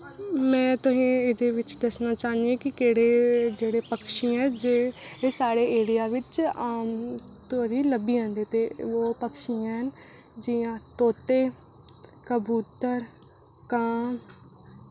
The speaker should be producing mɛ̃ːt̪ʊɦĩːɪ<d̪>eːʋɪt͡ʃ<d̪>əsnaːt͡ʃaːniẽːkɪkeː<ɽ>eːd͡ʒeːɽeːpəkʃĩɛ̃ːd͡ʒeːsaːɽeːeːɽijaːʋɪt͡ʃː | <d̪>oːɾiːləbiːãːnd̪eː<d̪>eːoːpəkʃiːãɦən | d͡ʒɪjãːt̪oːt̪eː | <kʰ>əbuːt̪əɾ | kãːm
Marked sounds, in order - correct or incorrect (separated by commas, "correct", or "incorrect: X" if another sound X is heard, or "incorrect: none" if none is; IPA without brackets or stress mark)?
correct, correct, correct, incorrect: t̪, incorrect: t̪, incorrect: k